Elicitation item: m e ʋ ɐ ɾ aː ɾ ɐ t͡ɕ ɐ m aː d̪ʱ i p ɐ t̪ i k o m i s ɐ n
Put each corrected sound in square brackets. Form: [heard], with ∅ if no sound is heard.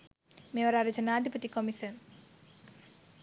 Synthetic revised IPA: m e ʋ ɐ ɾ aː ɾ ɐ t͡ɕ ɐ [n] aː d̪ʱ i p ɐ t̪ i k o m i s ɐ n